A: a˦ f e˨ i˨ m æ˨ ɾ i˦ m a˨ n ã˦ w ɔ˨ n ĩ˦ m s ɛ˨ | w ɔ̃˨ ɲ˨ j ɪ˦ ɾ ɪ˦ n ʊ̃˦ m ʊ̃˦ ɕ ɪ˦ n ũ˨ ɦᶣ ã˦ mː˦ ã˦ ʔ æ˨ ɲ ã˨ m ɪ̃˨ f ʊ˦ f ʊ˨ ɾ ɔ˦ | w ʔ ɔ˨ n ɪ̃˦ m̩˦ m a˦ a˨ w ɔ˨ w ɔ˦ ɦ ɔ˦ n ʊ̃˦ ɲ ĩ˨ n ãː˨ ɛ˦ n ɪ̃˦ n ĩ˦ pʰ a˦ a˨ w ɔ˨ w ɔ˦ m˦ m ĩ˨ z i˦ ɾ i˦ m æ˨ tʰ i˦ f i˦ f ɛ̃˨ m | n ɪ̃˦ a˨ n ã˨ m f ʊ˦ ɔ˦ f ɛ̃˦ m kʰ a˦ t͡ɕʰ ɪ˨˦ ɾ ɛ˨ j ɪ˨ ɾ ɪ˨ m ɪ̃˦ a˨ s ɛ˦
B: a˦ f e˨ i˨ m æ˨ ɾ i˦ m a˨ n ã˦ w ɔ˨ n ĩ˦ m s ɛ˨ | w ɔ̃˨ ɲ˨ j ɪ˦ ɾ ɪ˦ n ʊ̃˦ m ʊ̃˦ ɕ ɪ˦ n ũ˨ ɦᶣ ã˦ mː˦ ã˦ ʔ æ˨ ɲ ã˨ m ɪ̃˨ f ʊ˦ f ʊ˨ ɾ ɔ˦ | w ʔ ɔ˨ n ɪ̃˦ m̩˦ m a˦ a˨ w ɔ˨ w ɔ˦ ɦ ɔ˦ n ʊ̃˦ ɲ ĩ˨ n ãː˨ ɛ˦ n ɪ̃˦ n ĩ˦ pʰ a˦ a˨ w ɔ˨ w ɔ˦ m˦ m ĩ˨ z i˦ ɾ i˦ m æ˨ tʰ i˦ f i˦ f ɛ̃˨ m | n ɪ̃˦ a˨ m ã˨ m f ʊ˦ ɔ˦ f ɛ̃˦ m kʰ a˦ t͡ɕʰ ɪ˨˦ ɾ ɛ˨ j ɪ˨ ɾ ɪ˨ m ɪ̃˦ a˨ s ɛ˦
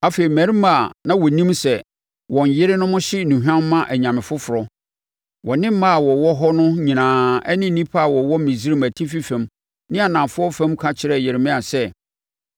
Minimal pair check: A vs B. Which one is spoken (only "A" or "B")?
A